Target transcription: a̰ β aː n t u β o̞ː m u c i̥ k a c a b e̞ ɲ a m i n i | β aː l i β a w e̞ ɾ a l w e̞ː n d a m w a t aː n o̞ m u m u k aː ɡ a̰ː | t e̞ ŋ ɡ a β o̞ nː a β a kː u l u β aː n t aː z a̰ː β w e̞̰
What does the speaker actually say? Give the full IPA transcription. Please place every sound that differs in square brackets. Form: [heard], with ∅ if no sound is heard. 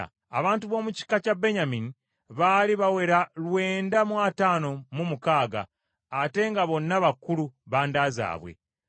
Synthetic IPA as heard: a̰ β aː n t u β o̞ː m u c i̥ k a c a b e̞ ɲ a m i n i | β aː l i β a w e̞ ɾ a l w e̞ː n d a m w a t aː n o̞ m u m u k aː ɡ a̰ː | t e̞ ŋ ɡ a β o̞ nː a β a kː u l u β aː n [d] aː z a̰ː β w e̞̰

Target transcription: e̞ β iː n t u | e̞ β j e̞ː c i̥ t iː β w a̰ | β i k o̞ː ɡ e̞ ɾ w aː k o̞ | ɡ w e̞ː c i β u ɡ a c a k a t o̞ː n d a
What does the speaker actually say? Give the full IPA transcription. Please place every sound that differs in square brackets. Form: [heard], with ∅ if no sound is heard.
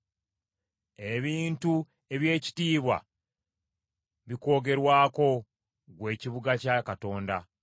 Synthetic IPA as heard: e̞ β iː n t u | e̞ β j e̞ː c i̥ t iː β w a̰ | β i k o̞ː ɡ e̞ ɾ w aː k o̞ | ɡ w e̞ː c i β u ɡ a c a k a t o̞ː n d a

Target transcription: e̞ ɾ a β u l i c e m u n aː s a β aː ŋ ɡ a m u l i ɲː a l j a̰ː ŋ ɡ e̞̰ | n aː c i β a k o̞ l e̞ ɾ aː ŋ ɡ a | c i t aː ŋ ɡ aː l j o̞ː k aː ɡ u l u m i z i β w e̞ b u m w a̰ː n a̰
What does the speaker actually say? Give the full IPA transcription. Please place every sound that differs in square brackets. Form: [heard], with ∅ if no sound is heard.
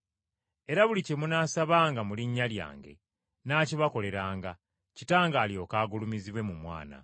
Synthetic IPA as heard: e̞ ɾ a β u l i c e m u n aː s a β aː ŋ ɡ a m u l i ɲː a l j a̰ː ŋ ɡ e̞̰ | n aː c i β a k o̞ l e̞ ɾ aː ŋ ɡ a | c i t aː ŋ ɡ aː l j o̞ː k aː ɡ u l u m i z i β w e̞ [m] u m w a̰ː n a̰

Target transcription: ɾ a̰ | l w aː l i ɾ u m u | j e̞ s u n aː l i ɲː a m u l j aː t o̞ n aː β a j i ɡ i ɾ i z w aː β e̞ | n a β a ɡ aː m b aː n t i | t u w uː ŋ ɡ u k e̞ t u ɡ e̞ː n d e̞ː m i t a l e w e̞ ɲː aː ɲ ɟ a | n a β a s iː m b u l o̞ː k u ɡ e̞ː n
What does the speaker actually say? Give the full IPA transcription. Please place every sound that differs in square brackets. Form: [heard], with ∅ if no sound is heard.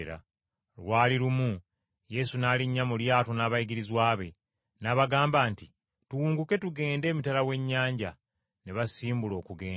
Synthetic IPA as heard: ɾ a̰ | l w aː l i ɾ u m u | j e̞ s u n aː l i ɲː a m u l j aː t o̞ n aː β a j i ɡ i ɾ i z w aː β e̞ | n a β a ɡ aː m b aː n t i | t u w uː ŋ ɡ u k e̞ t u ɡ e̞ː n d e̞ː m i t a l [a] w e̞ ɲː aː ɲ ɟ a | n [e] β a s iː m b u l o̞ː k u ɡ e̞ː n

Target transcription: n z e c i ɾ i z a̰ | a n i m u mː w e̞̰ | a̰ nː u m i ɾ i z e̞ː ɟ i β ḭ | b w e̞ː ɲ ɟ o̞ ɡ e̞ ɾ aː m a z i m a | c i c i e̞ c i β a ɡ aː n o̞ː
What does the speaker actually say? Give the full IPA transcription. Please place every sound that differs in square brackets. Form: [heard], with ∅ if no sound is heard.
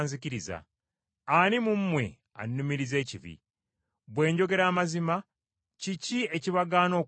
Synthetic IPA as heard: n z [i] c i ɾ i z a̰ | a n i m u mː w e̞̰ | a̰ nː u m i ɾ i z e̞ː [c] i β ḭ | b w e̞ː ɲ ɟ o̞ ɡ e̞ ɾ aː m a z i m a | c i c i e̞ c i β a ɡ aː n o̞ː

